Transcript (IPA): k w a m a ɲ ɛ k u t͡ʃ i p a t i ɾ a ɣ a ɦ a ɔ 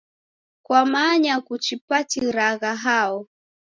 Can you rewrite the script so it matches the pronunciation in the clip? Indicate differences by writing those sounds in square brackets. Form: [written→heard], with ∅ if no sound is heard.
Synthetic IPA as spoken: k w a m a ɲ [ɛ→a] k u t͡ʃ i p a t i ɾ a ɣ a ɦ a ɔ